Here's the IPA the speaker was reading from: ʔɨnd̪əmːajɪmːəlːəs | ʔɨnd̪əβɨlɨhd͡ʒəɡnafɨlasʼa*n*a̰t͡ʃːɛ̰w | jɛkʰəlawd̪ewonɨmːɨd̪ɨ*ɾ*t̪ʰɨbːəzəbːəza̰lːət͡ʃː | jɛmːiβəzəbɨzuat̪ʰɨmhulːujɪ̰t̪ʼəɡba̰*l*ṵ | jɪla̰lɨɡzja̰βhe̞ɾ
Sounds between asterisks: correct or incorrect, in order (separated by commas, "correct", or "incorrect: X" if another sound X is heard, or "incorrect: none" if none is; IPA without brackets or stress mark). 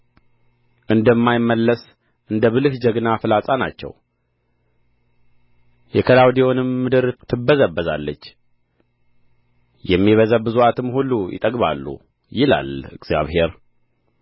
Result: correct, correct, incorrect: lː